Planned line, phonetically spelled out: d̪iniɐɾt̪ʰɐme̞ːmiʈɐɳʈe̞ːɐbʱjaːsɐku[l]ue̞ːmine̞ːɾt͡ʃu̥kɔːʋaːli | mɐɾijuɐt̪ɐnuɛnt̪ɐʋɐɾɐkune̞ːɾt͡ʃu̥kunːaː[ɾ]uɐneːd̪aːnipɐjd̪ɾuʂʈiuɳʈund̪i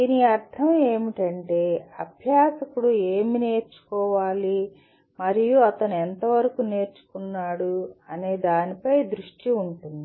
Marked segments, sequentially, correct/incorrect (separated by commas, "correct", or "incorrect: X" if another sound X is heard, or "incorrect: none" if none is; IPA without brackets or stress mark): incorrect: ɽ, incorrect: ɽ